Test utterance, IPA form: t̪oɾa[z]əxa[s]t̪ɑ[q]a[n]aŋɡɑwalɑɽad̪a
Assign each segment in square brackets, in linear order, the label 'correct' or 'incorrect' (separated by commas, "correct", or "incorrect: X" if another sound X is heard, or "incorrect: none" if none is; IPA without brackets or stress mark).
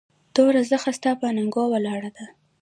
correct, correct, incorrect: p, correct